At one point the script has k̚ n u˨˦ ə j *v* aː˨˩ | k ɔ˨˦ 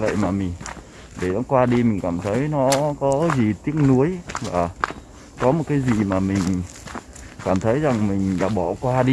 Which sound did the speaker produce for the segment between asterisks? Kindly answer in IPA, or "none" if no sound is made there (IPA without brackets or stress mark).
v